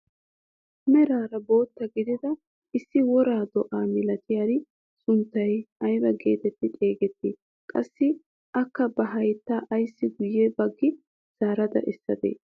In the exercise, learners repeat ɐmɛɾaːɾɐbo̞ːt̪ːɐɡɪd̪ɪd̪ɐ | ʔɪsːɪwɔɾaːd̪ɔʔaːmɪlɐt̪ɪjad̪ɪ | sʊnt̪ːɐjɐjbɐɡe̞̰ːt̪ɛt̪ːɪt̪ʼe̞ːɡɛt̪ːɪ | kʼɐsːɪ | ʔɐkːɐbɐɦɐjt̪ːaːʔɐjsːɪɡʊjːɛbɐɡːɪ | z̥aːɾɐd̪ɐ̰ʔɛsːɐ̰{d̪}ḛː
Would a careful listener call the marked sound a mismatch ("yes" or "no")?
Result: no